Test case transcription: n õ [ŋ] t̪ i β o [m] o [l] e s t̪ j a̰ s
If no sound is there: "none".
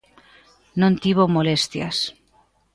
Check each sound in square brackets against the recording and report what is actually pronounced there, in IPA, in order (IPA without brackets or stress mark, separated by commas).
n, m, l